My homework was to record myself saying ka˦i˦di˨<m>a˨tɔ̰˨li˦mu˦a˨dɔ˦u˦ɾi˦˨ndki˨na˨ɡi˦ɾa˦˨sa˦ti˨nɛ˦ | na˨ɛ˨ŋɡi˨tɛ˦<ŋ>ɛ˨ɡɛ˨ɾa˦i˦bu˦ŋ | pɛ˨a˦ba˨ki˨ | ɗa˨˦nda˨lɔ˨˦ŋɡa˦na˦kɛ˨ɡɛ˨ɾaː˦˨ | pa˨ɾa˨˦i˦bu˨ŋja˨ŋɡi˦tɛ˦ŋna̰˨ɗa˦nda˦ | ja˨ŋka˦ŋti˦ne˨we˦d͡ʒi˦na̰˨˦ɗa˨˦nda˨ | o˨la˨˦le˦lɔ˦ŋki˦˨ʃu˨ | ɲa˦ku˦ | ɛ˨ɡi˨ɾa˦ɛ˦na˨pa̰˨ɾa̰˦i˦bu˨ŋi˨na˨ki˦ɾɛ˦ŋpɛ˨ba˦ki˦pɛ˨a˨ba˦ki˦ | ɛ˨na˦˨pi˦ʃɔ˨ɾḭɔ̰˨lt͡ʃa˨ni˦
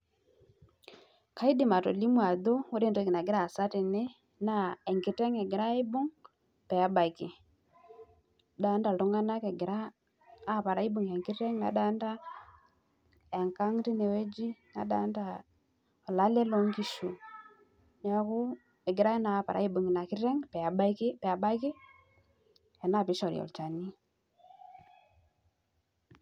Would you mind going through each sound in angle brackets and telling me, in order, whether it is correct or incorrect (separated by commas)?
correct, correct